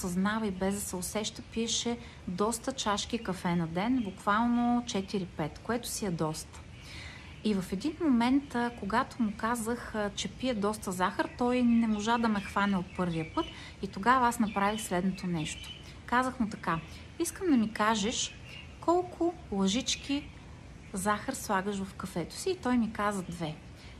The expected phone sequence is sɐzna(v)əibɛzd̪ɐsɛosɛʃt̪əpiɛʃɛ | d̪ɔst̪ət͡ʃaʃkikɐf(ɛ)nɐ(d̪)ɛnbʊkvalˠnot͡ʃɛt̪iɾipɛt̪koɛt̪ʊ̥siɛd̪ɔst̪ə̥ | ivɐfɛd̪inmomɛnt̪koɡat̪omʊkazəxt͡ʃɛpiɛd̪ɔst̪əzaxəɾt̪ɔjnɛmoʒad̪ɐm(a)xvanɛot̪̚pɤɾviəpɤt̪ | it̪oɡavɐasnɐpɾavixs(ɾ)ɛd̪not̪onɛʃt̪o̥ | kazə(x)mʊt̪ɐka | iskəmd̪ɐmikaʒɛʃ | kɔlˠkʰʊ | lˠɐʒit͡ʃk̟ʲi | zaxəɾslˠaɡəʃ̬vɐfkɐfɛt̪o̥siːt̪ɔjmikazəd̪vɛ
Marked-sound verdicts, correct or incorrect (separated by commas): correct, correct, correct, incorrect, incorrect, correct